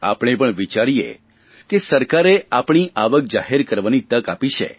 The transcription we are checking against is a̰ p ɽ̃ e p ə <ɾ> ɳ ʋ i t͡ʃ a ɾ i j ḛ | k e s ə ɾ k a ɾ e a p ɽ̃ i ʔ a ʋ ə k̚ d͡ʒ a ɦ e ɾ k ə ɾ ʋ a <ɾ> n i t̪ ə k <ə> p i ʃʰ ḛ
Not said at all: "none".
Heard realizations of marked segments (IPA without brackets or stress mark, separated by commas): none, none, a